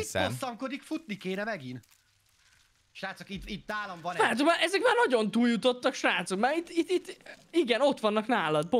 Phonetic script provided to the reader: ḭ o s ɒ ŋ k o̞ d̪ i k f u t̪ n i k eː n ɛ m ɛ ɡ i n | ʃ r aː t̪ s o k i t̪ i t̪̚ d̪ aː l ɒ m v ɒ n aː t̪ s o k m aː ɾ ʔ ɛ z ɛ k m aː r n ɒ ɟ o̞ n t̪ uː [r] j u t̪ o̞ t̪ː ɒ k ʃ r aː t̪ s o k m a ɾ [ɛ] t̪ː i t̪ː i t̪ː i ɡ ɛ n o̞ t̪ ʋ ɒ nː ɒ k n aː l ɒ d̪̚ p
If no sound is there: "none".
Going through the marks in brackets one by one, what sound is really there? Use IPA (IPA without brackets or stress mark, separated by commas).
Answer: l, i